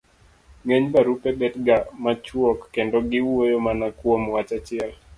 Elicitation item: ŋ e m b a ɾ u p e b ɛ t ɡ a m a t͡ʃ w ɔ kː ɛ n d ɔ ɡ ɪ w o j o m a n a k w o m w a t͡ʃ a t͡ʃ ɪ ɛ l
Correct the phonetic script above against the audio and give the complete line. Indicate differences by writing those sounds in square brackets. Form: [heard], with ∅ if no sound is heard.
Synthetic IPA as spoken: ŋ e [ɲ] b a ɾ u p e b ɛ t ɡ a m a t͡ʃ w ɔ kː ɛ n d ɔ ɡ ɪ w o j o m a n a k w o m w a t͡ʃ a t͡ʃ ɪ ɛ l